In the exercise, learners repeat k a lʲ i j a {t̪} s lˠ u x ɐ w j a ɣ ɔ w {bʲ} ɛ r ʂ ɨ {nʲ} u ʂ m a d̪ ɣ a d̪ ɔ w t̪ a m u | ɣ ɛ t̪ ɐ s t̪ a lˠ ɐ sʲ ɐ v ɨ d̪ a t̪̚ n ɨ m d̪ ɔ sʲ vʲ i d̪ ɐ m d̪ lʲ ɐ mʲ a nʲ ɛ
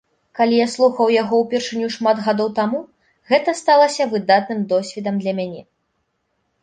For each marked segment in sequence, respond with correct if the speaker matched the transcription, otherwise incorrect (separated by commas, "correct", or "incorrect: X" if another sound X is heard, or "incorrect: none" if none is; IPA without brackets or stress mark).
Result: incorrect: none, incorrect: pʲ, correct